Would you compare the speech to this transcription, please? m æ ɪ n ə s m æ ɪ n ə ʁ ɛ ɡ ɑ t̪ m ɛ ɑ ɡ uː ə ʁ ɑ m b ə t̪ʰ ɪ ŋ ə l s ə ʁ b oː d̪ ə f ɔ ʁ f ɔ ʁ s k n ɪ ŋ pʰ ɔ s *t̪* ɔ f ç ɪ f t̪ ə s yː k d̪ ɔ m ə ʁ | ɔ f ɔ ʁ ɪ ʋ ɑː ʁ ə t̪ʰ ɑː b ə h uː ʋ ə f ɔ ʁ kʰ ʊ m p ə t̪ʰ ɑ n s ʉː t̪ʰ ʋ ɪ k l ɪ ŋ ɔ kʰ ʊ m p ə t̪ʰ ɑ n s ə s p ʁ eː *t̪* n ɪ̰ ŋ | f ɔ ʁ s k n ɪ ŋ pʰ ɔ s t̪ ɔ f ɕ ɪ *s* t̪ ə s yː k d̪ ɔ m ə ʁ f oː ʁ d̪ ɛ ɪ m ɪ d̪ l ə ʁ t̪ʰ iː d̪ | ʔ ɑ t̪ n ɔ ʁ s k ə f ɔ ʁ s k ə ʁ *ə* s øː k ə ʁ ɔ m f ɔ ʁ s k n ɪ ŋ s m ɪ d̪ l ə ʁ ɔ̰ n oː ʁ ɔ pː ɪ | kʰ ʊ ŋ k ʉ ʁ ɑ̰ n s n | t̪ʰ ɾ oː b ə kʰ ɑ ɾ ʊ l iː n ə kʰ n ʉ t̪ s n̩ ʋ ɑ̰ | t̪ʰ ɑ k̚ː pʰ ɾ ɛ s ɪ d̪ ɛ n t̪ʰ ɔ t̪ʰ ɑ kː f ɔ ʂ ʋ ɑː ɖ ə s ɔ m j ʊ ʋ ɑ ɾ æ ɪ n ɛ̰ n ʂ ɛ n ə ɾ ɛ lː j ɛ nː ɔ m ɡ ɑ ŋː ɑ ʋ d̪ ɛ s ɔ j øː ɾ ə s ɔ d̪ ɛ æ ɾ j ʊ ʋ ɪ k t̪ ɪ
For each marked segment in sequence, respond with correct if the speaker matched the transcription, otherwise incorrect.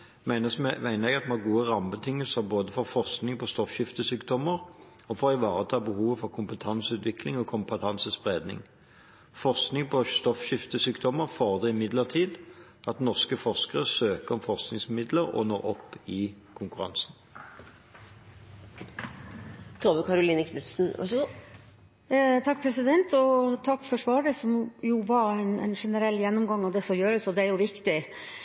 correct, incorrect, incorrect, correct

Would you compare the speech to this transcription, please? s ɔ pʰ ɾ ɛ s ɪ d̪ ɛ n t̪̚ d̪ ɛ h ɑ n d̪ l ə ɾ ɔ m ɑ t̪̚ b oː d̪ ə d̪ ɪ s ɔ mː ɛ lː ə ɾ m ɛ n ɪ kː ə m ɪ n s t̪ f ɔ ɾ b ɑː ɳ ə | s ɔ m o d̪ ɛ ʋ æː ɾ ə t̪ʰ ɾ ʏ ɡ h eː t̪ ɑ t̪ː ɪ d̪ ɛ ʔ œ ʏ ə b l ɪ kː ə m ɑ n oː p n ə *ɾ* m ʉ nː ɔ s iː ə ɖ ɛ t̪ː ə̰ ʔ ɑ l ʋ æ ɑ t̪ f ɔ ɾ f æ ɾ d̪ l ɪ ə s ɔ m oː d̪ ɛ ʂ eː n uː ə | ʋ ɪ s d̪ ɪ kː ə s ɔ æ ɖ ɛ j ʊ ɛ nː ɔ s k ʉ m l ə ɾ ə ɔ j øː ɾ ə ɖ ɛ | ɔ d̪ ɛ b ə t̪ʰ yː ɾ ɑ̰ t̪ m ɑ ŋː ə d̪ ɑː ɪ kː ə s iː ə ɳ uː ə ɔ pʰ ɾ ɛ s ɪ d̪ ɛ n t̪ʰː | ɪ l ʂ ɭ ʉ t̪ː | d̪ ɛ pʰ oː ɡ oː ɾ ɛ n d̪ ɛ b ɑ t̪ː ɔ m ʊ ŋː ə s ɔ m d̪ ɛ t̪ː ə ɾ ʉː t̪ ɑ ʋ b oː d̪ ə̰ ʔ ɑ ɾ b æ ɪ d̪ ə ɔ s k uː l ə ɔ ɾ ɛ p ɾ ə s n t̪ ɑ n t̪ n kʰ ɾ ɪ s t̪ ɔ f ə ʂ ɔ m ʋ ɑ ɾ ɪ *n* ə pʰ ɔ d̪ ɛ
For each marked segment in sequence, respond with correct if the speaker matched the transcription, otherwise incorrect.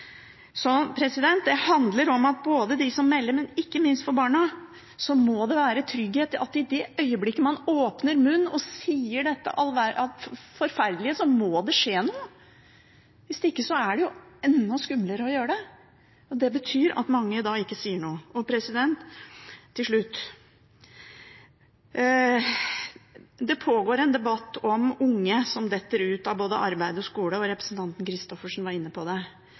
correct, incorrect

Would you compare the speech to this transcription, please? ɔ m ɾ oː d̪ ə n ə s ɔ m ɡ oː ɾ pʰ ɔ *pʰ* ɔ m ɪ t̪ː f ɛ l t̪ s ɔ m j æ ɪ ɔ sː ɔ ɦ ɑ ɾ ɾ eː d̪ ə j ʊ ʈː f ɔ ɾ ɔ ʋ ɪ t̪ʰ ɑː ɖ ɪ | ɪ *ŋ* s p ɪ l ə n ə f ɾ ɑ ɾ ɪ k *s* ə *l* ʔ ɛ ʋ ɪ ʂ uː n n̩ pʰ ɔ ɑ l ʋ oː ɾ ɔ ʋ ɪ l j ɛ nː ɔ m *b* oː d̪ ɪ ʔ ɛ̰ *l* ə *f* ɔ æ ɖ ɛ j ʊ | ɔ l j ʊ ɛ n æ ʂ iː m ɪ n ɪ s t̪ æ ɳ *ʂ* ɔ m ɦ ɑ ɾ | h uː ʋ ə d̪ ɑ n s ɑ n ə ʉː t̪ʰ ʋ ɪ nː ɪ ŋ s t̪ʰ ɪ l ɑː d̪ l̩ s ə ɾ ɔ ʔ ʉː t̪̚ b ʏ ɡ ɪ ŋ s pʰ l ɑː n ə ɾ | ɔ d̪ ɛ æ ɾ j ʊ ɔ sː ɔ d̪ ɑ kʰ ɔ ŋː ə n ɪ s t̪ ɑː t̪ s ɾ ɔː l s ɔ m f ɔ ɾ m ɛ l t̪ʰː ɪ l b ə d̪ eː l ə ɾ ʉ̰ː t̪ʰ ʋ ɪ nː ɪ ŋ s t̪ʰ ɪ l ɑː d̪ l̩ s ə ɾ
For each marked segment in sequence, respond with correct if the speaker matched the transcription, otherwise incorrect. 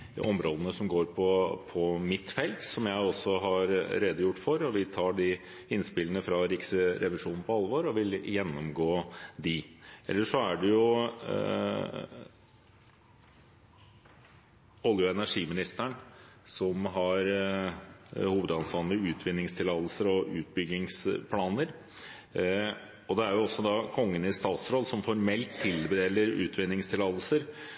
correct, incorrect, correct, incorrect, incorrect, incorrect, incorrect, incorrect

